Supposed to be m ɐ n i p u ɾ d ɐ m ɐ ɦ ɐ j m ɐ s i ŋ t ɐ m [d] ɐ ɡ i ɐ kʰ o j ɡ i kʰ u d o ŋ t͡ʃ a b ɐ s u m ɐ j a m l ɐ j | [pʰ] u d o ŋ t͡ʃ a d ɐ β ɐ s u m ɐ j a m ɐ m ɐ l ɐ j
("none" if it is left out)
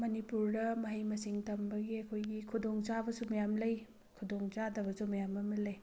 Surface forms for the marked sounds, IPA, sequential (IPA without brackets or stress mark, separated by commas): b, kʰ